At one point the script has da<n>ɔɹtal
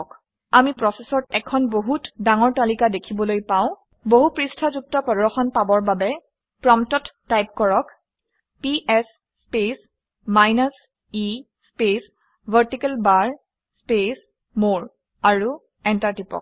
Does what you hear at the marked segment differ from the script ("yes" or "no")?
yes